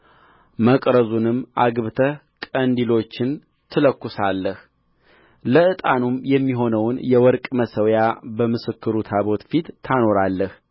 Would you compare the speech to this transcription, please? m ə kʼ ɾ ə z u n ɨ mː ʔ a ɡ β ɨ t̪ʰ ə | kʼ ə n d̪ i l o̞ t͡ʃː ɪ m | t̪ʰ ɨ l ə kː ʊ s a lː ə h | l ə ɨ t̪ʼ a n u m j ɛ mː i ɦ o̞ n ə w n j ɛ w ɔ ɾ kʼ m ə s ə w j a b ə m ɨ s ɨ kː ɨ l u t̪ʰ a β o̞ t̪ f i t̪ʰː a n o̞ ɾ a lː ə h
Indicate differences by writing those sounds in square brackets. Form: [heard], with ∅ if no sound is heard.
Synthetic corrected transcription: m ə kʼ ɾ ə z u n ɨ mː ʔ a ɡ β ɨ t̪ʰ ə | kʼ ə n d̪ i l o̞ t͡ʃː ɪ [n] | t̪ʰ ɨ l ə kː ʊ s a lː ə h | l ə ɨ t̪ʼ a n u m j ɛ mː i ɦ o̞ n ə w n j ɛ w ɔ ɾ kʼ m ə s ə w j a b ə m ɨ s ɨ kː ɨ [ɾ] u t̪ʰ a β o̞ t̪ f i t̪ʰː a n o̞ ɾ a lː ə h